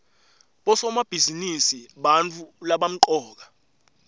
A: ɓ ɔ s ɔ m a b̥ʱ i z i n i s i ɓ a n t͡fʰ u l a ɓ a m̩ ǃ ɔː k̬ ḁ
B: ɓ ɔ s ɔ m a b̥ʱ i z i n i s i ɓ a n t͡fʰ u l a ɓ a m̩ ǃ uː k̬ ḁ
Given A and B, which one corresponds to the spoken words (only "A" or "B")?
A